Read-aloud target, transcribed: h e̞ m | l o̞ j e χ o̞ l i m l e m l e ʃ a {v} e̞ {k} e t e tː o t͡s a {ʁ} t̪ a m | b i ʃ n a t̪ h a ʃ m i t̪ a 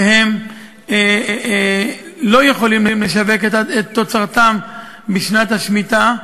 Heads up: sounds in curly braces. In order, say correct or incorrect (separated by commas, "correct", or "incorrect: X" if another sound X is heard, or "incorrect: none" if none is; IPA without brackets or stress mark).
correct, correct, correct